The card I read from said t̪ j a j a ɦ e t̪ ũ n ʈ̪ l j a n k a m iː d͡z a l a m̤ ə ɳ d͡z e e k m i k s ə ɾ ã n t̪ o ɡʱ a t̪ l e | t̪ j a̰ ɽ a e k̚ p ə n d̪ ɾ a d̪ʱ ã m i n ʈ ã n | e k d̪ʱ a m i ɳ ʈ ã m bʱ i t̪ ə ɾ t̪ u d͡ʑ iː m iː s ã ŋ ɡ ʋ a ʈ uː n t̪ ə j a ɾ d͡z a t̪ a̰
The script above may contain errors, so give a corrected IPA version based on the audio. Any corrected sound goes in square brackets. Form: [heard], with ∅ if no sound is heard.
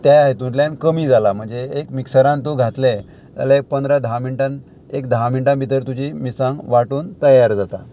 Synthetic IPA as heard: t̪ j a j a ɦ e t̪ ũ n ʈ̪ l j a n k [ə] m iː d͡z a l a m̤ ə ɳ d͡z e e k m i k s ə ɾ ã n t̪ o ɡʱ a t̪ l e | t̪ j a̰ [l] a e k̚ p ə n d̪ ɾ a d̪ʱ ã m i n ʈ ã n | e k d̪ʱ a m i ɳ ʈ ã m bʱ i t̪ ə ɾ t̪ u d͡ʑ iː m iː s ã ŋ ɡ ʋ a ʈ uː n t̪ ə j a ɾ d͡z a t̪ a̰